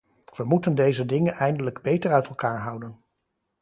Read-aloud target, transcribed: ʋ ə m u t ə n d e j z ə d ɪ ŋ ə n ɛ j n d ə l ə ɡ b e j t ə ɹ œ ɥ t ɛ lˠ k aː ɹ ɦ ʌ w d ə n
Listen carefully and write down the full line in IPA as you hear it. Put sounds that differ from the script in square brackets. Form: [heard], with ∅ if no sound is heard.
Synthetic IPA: ʋ ə m u t ə n d e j z ə d ɪ ŋ ə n ɛ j n d ə l ə ɡ b e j t ə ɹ œ ɥ t ɛ lˠ k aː ɹ ɦ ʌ w d ə n